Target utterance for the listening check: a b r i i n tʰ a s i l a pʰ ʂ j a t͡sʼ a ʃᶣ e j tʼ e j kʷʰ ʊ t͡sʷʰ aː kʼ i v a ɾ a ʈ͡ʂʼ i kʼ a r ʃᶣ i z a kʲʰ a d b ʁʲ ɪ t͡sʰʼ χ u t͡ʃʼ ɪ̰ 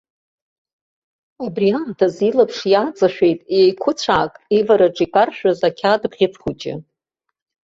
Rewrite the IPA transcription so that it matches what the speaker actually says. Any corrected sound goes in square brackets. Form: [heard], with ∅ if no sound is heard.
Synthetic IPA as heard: a b r i [a] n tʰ a [z] i l a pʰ ʂ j a t͡sʼ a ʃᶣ e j tʼ e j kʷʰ ʊ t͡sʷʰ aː kʼ i v a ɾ a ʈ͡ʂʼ i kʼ a r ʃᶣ [a] z a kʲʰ a d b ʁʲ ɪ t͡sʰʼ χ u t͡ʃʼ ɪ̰